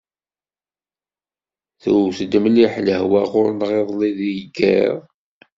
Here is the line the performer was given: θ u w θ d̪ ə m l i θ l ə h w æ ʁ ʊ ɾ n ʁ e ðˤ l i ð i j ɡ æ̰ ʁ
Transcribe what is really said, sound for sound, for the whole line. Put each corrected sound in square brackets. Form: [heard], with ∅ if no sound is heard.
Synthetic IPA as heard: θ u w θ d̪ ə m l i [ħ] l ə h w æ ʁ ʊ ɾ n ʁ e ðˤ l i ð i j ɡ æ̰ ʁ